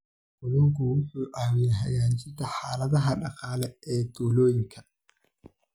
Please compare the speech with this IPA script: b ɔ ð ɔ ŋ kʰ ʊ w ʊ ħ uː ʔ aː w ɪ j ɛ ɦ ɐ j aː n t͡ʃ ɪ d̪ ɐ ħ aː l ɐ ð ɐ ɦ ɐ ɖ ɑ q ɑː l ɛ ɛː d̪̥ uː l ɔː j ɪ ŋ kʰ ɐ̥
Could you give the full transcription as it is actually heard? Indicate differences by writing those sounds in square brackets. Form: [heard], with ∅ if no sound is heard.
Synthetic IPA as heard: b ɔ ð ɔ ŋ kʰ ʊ w ʊ ħ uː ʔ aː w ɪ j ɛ ɦ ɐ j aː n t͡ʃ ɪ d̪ ɐ ħ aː l ɐ ð ɐ ɦ ɐ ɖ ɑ q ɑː l ɛ ɛː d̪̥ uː l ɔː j ɪ ŋ kʰ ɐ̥

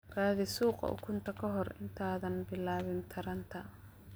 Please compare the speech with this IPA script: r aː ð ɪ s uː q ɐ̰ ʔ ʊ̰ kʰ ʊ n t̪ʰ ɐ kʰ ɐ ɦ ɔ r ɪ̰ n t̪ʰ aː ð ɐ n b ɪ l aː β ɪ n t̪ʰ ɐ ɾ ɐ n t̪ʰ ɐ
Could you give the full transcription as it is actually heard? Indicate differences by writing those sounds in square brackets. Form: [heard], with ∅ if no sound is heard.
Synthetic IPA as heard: r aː ð ɪ s uː q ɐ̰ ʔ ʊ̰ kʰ ʊ n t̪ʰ ɐ kʰ ɐ ɦ ɔ r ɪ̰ n t̪ʰ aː ð ɐ n b ɪ l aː β ɪ n t̪ʰ ɐ ɾ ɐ n t̪ʰ ɐ

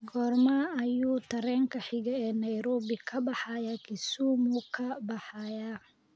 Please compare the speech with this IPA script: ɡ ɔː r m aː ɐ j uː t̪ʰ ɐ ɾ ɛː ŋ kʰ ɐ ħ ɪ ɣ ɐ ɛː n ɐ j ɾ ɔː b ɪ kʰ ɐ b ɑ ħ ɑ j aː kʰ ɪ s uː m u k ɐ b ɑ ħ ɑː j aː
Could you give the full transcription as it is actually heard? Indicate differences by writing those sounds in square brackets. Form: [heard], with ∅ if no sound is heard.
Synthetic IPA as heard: ɡ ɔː r m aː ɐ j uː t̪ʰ ɐ ɾ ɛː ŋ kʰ ɐ ħ ɪ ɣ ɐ ɛː n ɐ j ɾ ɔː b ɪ kʰ ɐ b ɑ ħ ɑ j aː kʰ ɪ s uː m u [kʰ] ɐ b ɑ ħ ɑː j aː

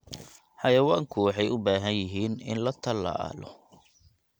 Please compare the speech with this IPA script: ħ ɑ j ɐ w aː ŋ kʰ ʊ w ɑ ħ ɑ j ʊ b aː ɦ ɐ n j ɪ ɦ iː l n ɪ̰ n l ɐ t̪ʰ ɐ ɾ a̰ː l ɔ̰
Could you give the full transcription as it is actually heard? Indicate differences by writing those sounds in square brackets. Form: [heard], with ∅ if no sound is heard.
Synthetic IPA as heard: ħ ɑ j ɐ w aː ŋ kʰ ʊ w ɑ ħ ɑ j ʊ b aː ɦ ɐ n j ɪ ɦ iː [∅] n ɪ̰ n l ɐ t̪ʰ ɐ [l] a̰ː l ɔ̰

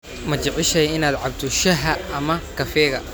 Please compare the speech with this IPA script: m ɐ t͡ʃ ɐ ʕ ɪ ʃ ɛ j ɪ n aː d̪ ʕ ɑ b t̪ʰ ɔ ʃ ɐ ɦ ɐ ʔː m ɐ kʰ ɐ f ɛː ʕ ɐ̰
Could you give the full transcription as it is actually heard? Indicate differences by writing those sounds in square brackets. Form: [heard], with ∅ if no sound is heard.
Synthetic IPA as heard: m ɐ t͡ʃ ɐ ʕ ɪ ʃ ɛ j ɪ n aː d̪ ʕ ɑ b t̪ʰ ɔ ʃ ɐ ɦ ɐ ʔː m ɐ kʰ ɐ f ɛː [ɣ] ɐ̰

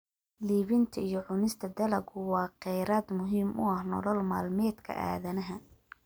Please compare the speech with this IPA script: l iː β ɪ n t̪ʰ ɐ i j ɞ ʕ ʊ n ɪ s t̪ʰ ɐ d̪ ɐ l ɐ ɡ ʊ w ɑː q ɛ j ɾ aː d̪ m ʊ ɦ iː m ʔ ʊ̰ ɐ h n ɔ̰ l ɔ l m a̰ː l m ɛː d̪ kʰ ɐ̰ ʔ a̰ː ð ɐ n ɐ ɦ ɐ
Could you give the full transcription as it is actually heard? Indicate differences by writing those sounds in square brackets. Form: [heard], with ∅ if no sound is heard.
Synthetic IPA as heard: l iː β ɪ n t̪ʰ ɐ i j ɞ ʕ ʊ n ɪ s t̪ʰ ɐ d̪ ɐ l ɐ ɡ ʊ w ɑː q ɛ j ɾ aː d̪ m ʊ ɦ iː m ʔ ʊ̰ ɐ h n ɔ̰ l ɔ l m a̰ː l m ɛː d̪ kʰ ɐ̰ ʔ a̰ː ð ɐ n ɐ ɦ ɐ

